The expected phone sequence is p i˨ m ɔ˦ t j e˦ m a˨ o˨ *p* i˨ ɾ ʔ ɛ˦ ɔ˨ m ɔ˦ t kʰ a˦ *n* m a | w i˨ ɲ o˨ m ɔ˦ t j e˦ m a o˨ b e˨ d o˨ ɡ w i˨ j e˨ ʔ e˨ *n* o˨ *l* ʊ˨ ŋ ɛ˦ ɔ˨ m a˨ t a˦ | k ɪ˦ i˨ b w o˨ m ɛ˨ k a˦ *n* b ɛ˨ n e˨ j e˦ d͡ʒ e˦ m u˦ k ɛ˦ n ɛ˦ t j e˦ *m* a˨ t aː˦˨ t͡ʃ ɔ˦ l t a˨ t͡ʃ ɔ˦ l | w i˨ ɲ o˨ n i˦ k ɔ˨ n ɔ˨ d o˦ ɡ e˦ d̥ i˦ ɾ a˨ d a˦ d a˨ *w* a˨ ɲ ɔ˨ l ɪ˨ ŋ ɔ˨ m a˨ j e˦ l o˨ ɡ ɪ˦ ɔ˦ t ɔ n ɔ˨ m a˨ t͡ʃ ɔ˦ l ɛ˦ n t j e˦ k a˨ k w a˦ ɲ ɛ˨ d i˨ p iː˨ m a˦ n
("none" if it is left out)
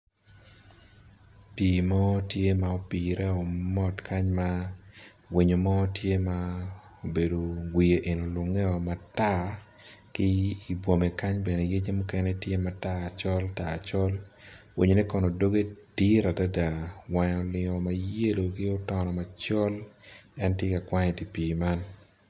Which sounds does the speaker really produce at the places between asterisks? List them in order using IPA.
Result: p, ɲ, n, l, ɲ, m, w

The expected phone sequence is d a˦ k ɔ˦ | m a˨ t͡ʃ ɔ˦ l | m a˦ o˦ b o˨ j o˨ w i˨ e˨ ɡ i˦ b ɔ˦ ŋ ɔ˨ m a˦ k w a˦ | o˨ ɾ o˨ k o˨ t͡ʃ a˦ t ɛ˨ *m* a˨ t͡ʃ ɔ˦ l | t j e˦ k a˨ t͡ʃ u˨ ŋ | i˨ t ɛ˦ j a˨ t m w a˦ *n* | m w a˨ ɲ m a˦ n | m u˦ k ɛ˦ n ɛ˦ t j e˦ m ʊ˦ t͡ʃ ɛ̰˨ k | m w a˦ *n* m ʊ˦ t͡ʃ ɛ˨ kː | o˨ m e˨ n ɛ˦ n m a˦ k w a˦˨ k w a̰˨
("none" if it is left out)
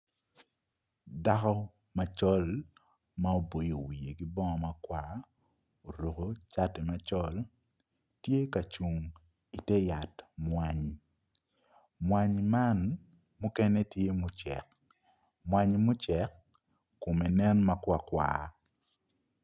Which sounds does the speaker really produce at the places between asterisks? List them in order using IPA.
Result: m, ɲ, ɲ

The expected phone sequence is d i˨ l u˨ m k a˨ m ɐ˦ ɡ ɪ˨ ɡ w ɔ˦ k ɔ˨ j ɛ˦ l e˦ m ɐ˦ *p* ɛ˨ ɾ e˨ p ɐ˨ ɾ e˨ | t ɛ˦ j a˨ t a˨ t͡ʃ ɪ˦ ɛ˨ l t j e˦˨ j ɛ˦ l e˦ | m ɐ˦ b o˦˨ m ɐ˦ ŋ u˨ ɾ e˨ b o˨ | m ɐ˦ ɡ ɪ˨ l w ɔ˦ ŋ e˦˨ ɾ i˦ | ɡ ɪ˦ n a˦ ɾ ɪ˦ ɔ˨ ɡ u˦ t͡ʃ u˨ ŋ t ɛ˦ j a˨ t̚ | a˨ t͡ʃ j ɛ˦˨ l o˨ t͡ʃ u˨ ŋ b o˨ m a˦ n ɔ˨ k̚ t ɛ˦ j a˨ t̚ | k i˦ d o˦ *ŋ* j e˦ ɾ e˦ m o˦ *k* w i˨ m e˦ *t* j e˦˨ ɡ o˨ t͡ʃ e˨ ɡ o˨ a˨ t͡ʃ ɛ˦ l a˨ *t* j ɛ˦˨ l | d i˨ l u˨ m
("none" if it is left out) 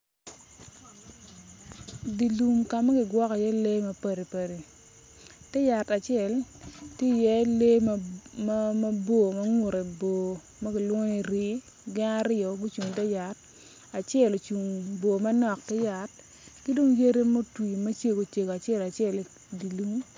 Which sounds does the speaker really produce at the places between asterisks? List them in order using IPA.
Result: p, ŋ, t, t͡ʃ, t͡ʃ

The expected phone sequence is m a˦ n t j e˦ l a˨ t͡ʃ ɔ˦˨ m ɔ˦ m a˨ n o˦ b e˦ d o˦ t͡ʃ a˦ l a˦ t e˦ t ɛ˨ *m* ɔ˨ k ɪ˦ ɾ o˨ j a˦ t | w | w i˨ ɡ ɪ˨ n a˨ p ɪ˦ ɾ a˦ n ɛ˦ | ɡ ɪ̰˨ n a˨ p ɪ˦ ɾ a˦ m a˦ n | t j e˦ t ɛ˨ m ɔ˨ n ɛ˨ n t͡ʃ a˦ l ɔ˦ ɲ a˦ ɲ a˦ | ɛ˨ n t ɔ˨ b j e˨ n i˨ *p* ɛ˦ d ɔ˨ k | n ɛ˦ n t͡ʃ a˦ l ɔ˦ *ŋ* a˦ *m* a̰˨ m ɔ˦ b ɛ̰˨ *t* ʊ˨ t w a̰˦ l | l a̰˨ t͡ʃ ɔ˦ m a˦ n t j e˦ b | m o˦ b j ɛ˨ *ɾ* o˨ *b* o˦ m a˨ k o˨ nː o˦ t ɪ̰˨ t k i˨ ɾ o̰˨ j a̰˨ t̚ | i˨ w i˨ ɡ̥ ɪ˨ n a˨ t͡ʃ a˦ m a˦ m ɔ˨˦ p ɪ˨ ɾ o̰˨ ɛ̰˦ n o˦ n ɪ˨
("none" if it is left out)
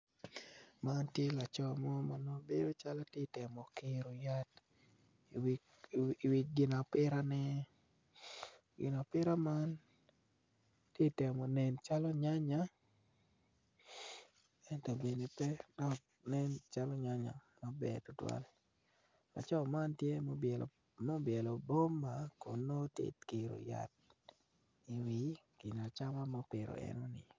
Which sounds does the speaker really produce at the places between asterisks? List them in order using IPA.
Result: m, p, ɲ, ɲ, t, l, b

